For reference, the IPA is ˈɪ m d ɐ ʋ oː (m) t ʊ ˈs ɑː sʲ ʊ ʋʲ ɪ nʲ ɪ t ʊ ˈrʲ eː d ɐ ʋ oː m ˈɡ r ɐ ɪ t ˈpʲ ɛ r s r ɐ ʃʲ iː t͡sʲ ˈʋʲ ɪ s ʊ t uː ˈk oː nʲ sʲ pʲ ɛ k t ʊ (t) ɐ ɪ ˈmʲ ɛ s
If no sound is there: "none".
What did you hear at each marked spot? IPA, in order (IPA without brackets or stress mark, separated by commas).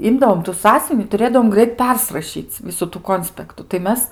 m, t